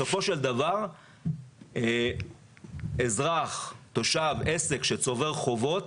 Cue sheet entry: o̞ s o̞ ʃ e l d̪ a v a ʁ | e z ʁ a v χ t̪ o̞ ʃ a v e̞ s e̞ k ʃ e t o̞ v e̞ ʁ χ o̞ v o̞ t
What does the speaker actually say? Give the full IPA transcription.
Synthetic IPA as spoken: o̞ f o̞ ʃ e l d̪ a v a ʁ | e z ʁ a χ t̪ o̞ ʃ a v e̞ s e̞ k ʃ e t͡s o̞ v e̞ ʁ χ o̞ v o̞ t